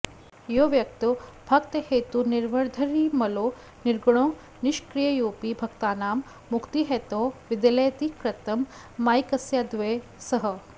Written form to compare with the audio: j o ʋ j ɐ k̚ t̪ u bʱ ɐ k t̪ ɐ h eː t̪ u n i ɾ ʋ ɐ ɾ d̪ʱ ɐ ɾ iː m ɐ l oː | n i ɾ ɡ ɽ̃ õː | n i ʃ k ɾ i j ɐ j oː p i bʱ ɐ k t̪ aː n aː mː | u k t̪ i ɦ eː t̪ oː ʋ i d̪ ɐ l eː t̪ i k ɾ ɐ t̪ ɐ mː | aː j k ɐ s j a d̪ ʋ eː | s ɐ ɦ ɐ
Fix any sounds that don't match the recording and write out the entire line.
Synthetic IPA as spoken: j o ʋ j ɐ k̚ t̪ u bʱ ɐ k t̪ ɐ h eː t̪ u n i ɾ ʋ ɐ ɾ d̪ʱ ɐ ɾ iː m ɐ l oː | n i ɾ ɡ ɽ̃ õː | n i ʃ k ɾ i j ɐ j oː p i bʱ ɐ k t̪ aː n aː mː | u k t̪ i ɦ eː t̪ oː ʋ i d̪ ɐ l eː t̪ i k ɾ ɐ t̪ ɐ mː | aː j k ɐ s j a d̪ ʋ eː | s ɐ ɦ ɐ